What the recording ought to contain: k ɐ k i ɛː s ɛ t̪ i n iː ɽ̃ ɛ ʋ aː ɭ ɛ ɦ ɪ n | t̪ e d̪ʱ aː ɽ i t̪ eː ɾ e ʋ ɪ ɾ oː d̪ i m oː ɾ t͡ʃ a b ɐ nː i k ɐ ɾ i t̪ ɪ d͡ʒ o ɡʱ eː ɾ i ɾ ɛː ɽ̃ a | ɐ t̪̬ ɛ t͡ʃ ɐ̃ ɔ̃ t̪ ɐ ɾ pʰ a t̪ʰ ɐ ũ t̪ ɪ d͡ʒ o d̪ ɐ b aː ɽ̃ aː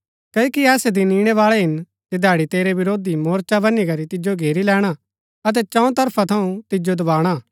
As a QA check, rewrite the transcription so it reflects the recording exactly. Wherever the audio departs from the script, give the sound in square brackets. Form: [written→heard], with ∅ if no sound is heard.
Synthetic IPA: k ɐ k i ɛː s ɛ [t̪→d̪] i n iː ɽ̃ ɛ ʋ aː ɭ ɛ ɦ ɪ n | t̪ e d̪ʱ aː ɽ i t̪ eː ɾ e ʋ ɪ ɾ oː d̪ i m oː ɾ t͡ʃ a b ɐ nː i k ɐ ɾ i t̪ ɪ d͡ʒ o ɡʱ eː ɾ i [ɾ→l] ɛː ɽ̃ a | ɐ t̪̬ ɛ t͡ʃ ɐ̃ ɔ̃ t̪ ɐ ɾ pʰ a t̪ʰ ɐ ũ t̪ ɪ d͡ʒ o d̪ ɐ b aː ɽ̃ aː